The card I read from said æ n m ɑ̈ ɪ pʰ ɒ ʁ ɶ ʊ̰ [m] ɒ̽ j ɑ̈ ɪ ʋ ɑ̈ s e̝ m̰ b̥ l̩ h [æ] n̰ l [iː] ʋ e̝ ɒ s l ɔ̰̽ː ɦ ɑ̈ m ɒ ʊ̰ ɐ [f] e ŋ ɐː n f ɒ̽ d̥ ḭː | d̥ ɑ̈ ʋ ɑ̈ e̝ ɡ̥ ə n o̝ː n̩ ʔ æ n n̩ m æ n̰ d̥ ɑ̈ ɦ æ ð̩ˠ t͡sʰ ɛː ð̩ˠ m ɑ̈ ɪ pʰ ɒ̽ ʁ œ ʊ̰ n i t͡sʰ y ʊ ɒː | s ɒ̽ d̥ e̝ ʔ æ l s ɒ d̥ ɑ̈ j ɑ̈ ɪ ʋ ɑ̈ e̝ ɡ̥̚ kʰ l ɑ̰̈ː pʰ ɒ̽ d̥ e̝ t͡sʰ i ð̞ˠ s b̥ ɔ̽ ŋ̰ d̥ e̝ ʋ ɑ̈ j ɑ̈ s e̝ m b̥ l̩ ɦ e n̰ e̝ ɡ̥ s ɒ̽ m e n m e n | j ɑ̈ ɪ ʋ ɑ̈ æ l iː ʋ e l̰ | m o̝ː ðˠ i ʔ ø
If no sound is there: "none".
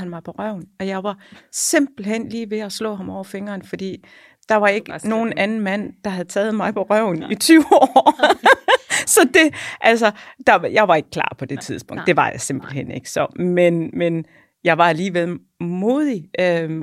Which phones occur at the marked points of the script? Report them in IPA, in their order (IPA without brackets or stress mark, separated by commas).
n, e, iː, f